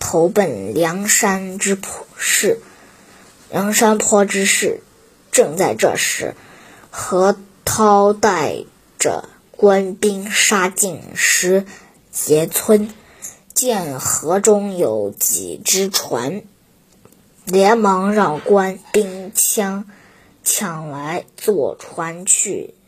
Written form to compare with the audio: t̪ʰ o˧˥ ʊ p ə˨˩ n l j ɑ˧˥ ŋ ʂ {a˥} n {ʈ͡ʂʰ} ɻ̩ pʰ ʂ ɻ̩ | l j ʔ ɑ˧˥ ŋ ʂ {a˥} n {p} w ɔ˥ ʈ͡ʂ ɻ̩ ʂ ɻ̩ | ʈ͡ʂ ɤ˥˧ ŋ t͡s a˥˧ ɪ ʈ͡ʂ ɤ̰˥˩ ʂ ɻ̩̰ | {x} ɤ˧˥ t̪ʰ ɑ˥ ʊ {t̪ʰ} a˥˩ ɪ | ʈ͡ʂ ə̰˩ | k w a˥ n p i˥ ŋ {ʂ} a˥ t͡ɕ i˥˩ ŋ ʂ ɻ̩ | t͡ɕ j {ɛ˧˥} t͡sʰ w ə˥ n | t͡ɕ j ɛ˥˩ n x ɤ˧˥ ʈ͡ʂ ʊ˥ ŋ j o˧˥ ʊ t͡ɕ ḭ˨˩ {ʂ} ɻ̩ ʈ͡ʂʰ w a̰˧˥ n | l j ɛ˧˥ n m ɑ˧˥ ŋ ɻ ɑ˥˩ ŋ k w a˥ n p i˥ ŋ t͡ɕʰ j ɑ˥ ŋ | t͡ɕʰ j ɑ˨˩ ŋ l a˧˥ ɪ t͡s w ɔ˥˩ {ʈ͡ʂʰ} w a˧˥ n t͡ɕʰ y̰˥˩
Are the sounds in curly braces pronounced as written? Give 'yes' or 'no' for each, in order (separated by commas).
yes, no, yes, no, yes, no, yes, yes, no, yes